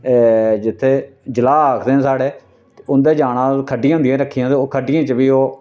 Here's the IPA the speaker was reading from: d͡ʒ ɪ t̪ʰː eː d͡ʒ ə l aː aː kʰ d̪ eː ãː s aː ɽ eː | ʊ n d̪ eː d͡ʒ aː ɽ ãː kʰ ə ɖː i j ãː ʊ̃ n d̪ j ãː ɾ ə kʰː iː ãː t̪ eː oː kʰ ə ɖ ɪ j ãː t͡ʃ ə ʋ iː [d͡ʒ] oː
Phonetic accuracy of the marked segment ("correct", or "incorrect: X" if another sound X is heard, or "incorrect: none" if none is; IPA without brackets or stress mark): incorrect: none